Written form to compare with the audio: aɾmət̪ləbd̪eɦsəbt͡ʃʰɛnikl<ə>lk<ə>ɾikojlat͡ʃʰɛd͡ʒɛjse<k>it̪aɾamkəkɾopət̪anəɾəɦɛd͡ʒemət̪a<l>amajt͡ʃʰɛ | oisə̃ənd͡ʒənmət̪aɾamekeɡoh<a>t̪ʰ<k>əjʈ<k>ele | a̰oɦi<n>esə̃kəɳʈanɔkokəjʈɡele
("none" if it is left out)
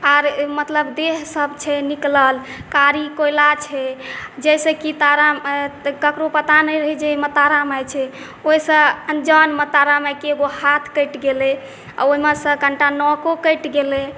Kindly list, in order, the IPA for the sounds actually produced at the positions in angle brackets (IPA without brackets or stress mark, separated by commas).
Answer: ə, a, k, ɾ, a, k, ɡ, m